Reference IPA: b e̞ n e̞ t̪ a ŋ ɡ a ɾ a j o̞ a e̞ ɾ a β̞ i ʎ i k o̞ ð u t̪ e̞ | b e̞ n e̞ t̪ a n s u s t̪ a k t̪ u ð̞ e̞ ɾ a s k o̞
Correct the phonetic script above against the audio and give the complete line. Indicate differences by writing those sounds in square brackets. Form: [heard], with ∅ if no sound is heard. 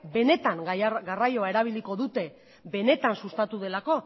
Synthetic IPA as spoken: b e̞ n e̞ t̪ a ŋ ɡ a [r] a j o̞ a e̞ ɾ a β̞ i [l] i k o̞ ð u t̪ e̞ | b e̞ n e̞ t̪ a n s u s t̪ a [∅] t̪ u ð̞ e̞ [l] a [∅] k o̞